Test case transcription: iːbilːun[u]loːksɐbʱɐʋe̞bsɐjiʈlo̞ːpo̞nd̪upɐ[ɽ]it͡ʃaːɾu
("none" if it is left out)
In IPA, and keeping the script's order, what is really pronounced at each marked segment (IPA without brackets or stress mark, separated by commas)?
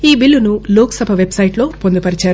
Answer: u, ɾ